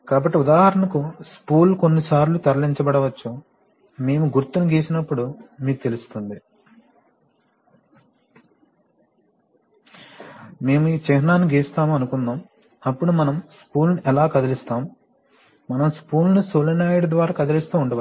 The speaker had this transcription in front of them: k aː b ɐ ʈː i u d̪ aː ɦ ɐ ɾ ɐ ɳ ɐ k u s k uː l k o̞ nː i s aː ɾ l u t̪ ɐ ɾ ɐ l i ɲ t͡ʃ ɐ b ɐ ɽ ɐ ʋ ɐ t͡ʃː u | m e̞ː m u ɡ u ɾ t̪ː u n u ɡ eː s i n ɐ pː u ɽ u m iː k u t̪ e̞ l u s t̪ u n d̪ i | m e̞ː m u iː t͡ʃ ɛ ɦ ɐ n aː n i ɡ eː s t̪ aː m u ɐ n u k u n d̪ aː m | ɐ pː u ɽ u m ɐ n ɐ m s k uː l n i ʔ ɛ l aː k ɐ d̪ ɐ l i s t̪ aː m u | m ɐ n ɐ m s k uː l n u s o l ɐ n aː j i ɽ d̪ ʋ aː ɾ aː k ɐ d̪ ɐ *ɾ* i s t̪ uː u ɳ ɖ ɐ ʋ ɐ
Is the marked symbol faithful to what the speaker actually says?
no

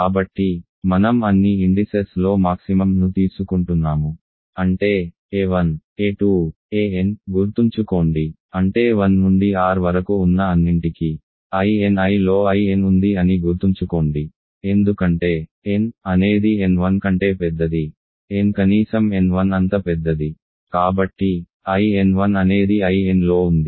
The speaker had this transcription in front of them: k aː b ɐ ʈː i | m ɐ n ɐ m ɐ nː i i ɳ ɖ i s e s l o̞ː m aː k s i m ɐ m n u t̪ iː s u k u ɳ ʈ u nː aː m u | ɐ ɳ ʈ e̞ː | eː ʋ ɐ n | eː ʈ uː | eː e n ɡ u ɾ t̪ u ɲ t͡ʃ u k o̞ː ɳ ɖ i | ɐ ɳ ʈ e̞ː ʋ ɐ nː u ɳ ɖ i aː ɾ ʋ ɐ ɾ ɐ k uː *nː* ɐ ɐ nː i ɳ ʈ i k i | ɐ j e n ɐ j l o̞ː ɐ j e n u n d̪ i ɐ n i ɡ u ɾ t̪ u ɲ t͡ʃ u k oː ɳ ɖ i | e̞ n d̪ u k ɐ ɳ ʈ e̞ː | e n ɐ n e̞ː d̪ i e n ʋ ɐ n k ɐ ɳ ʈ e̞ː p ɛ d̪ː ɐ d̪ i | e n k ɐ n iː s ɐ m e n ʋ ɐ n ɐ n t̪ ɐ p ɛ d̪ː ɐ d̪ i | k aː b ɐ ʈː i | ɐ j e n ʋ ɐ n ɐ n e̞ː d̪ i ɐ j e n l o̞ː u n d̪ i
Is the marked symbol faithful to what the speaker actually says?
yes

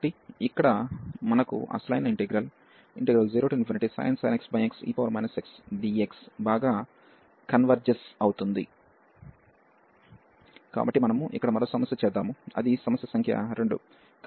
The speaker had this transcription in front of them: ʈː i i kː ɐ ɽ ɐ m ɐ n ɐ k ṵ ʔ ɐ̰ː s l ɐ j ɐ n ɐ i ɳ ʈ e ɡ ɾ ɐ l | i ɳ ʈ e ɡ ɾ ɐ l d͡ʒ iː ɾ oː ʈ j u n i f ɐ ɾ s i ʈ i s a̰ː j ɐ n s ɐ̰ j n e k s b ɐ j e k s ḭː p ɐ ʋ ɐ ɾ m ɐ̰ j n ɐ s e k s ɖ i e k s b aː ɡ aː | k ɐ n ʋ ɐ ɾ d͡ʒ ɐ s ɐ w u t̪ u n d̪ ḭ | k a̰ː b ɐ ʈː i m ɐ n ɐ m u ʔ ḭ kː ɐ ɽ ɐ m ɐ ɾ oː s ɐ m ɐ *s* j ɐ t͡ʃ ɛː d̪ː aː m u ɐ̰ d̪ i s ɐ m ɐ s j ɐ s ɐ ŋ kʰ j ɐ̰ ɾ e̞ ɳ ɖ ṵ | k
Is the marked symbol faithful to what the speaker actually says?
yes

